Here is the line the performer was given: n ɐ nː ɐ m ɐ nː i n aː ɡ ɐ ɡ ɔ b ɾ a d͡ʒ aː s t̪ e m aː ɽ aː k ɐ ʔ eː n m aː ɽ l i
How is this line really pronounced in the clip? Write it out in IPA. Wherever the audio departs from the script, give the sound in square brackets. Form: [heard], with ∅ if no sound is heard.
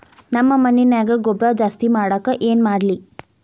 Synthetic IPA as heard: n ɐ [mː] ɐ m ɐ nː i n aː ɡ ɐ ɡ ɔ b ɾ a d͡ʒ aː s t̪ [i] m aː ɽ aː k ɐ ʔ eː n m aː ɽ l i